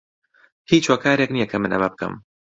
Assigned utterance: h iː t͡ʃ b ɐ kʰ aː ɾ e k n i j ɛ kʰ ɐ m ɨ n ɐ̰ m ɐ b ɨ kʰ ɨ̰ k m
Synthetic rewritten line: h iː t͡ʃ w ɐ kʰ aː ɾ e k n i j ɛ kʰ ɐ m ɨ n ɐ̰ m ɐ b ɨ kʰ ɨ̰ m